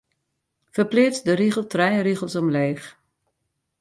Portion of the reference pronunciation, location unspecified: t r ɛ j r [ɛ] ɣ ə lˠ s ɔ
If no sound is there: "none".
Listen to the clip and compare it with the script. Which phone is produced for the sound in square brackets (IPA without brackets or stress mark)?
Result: i